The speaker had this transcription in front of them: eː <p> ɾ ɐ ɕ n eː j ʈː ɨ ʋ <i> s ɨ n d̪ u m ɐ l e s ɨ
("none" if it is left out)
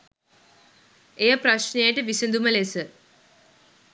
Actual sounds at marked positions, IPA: p, i

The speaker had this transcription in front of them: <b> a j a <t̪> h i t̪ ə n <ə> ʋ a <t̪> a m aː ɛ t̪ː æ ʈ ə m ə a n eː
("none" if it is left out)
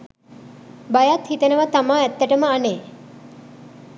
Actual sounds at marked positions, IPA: b, t̪, ə, t̪

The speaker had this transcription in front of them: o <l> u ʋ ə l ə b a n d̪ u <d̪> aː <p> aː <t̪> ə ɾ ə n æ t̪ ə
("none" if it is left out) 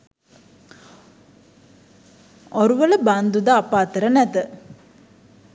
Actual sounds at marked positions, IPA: ɾ, d̪, p, t̪

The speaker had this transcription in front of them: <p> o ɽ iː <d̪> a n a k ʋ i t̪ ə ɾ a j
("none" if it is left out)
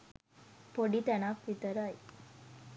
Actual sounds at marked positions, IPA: p, t̪

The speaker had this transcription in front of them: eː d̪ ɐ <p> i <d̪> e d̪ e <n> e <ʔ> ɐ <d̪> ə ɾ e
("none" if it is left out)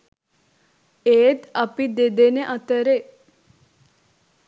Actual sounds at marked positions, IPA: p, d̪, n, ʔ, t̪

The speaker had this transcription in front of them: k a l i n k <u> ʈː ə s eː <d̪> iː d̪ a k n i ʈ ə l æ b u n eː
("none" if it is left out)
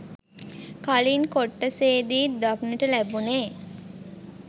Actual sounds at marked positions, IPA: o, d̪

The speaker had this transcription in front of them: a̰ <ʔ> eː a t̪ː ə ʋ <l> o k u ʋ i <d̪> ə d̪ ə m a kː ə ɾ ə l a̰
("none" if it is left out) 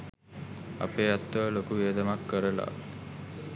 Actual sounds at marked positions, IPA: p, l, none

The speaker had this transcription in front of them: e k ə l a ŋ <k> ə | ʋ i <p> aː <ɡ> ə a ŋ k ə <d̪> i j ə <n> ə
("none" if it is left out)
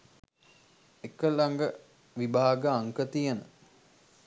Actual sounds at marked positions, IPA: ɡ, b, ɡ, t̪, n

